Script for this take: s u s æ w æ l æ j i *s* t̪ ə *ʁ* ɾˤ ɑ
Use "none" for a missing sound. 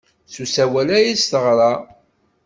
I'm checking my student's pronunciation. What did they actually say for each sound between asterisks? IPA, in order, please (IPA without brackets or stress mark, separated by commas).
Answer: s, ʁ